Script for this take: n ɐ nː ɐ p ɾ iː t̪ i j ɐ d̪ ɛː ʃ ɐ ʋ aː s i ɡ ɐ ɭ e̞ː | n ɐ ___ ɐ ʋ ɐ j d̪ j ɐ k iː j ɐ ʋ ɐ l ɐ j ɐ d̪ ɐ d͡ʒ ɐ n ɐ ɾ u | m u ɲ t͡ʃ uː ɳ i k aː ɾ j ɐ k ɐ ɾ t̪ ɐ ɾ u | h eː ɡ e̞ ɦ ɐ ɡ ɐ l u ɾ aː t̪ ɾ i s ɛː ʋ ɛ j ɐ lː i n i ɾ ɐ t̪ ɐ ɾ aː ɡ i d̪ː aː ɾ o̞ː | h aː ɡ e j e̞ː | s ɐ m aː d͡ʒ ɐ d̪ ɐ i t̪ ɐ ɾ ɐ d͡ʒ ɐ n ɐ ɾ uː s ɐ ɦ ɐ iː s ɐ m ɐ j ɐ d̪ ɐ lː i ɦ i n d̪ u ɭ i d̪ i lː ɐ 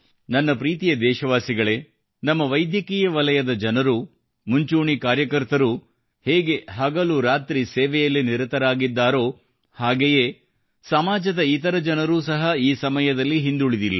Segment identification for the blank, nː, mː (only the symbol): mː